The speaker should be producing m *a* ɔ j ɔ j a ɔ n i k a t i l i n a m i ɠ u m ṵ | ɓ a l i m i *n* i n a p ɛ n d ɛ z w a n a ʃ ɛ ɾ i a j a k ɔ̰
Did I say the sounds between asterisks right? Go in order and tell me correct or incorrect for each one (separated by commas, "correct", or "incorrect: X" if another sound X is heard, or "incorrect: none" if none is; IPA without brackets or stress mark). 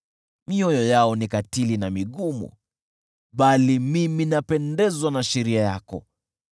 incorrect: i, incorrect: m